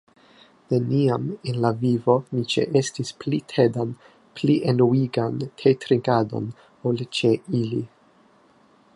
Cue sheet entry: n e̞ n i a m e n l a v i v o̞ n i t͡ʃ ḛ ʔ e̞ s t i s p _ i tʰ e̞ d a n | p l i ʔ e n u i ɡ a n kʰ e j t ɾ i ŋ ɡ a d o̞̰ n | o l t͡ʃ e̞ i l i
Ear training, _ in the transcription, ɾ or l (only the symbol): l